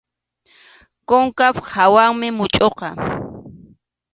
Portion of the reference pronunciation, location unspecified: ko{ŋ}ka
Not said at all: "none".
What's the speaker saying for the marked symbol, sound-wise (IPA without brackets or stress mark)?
ŋ